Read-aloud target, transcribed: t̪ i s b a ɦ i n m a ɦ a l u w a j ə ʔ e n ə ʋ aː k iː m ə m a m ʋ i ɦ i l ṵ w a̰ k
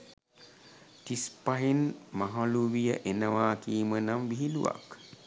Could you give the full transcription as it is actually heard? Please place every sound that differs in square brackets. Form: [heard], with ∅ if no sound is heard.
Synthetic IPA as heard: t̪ i s [p] a ɦ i n m a ɦ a l u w [i] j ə ʔ e n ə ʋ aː k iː m ə [n] a m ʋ i ɦ i l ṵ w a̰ k

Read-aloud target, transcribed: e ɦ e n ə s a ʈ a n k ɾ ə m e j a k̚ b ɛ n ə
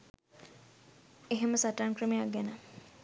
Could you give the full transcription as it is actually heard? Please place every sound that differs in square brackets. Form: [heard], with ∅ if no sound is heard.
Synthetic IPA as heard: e ɦ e [m] ə s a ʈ a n k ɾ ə m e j a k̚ [ɡ] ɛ n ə

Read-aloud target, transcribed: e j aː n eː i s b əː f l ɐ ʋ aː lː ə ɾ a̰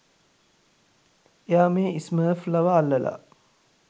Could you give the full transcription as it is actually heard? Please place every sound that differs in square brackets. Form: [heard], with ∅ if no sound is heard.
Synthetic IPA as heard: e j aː [m] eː i s [m] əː f l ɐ ʋ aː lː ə [l] a̰

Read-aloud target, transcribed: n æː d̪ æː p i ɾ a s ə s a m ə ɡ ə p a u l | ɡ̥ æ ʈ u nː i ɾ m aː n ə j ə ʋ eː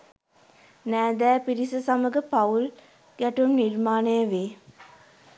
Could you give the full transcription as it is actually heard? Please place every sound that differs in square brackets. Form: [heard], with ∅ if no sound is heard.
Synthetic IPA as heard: n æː d̪ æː p i ɾ [i] s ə s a m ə ɡ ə p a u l | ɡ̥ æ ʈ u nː i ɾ m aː n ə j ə ʋ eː

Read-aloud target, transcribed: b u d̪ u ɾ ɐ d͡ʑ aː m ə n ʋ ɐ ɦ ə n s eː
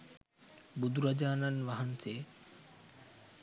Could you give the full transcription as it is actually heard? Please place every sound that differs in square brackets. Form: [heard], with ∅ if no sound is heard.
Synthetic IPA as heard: b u d̪ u ɾ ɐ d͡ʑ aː [n] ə n ʋ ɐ ɦ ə n s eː

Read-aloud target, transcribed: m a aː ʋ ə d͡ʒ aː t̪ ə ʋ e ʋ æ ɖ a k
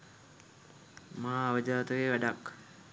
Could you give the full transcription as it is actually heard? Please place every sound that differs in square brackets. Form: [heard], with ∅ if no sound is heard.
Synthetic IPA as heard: m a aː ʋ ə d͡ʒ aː t̪ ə ʋ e ʋ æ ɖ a k

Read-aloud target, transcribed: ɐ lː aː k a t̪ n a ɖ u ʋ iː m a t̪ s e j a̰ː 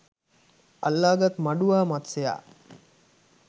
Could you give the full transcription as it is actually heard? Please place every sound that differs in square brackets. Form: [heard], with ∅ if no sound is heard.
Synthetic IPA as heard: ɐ lː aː [ɡ] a t̪ [m] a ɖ u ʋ [aː] m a t̪ s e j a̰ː

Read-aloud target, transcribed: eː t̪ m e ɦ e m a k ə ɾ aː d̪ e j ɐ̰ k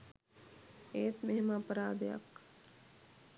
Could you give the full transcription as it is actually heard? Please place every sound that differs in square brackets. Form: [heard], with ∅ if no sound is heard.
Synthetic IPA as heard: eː t̪ m e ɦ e m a [p] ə ɾ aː d̪ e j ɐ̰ k

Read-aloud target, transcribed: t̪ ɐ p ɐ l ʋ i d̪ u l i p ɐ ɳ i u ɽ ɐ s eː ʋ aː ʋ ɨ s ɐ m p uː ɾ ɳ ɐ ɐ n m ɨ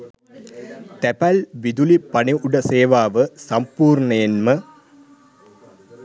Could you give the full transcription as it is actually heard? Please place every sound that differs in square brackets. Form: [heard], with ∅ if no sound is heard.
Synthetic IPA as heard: t̪ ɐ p ɐ l ʋ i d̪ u l i p ɐ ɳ i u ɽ ɐ s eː ʋ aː ʋ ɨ s ɐ m p uː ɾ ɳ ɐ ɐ n m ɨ

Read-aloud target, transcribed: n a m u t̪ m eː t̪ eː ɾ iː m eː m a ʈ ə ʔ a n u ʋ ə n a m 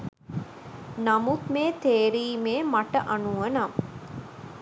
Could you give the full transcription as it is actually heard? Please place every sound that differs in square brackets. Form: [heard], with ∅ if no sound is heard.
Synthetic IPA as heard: n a m u t̪ m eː t̪ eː ɾ iː m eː m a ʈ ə ʔ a n u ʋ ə n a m

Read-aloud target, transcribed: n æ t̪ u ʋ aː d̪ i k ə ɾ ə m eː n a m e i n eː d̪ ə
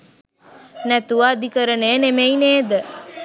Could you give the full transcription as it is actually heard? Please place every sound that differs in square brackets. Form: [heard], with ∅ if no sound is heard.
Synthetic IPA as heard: n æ t̪ u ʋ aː d̪ i k ə ɾ ə [n] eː n [e] m e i n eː d̪ ə

